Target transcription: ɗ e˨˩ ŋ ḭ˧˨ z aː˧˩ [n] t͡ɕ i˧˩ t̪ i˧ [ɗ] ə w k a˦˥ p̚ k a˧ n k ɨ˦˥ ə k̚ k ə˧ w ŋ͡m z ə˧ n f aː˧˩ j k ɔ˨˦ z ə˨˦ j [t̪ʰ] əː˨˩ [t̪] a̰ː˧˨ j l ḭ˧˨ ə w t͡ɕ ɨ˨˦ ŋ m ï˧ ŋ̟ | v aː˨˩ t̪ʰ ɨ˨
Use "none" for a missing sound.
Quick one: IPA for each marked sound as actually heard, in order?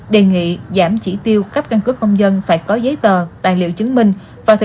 m, none, t̪, t̪

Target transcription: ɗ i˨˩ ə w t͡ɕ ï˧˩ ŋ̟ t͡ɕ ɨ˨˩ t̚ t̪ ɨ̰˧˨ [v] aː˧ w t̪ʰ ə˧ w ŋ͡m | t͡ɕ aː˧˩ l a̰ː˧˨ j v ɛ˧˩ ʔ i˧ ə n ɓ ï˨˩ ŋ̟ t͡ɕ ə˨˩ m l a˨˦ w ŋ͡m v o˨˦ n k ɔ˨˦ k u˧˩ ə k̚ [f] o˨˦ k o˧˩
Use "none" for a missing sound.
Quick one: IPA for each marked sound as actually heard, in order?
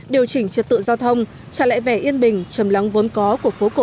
z, f

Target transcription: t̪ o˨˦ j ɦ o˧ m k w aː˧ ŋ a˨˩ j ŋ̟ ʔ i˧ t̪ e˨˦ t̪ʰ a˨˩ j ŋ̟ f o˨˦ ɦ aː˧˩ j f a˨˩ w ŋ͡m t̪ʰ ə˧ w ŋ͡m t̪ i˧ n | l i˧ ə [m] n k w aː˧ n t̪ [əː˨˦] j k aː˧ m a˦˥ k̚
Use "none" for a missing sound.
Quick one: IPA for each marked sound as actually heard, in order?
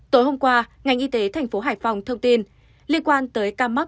none, əː˨˦

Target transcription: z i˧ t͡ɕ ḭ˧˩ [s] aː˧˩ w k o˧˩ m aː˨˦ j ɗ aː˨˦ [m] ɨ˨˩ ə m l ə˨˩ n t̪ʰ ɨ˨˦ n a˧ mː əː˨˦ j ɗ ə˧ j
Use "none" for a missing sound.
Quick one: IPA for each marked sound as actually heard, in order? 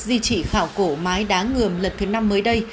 x, ŋ

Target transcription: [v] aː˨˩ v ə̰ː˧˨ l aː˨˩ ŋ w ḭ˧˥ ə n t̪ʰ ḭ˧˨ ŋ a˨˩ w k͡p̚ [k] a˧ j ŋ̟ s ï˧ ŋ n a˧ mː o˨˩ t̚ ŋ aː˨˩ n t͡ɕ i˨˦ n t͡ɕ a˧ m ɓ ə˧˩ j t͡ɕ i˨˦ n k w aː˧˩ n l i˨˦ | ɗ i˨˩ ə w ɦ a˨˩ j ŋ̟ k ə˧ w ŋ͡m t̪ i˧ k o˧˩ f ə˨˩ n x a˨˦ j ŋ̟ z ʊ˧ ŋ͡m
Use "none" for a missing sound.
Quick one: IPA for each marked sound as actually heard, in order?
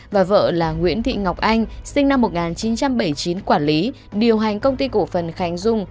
v, ʔ

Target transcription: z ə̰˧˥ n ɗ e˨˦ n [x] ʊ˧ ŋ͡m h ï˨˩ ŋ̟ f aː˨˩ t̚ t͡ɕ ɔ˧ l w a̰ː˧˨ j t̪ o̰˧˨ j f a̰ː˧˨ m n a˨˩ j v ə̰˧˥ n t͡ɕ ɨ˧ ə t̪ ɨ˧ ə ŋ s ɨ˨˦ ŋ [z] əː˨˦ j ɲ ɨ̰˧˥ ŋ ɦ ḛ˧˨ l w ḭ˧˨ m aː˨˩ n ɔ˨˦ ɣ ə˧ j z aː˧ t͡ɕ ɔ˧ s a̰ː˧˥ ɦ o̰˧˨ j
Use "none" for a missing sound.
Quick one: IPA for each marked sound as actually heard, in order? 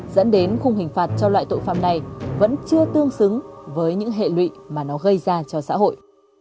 x, v

